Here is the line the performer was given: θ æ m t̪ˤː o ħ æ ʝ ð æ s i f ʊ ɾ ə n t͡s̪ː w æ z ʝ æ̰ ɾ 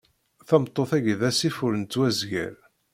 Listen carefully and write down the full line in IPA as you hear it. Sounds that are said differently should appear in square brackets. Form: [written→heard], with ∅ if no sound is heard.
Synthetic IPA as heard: θ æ m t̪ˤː o [ħ→θ] æ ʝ ð æ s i f ʊ ɾ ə n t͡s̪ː w æ z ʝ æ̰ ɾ